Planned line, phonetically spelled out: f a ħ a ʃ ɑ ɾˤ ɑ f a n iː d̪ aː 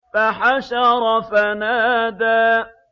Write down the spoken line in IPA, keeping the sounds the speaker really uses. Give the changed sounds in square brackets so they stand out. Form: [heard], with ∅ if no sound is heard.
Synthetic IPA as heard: f a ħ a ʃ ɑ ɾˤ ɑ f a n [aː] d̪ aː